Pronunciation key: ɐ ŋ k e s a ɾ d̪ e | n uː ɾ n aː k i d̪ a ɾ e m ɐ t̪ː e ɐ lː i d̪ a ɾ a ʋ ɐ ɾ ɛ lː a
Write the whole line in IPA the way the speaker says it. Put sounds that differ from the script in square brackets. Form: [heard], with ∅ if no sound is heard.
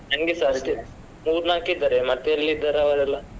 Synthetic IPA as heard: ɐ ŋ [ɡ] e s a ɾ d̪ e | [m] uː ɾ n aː k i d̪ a ɾ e m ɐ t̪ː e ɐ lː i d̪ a ɾ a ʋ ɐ ɾ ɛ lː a